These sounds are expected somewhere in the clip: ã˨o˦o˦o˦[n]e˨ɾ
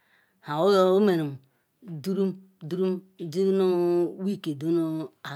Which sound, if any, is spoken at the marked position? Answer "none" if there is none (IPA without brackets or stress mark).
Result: m